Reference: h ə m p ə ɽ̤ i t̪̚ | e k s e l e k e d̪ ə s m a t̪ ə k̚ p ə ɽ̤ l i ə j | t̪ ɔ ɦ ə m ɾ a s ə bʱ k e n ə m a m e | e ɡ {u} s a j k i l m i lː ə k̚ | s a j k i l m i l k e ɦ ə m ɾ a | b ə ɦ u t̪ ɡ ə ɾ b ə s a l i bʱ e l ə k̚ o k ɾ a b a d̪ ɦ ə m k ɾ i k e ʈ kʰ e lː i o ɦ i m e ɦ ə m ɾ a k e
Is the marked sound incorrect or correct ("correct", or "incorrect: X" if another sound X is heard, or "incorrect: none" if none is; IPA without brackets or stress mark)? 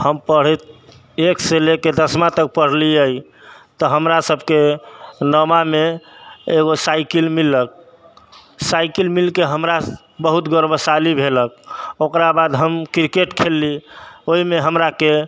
incorrect: o